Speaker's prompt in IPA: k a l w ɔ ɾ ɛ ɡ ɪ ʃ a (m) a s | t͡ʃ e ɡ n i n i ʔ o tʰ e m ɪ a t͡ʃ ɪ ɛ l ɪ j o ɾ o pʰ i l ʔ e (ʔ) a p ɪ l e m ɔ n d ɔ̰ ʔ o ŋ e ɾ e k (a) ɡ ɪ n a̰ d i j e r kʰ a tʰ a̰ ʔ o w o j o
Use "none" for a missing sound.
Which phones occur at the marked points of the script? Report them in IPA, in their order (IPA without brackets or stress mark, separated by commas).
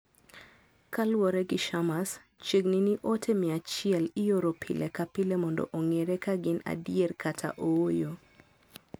m, k, a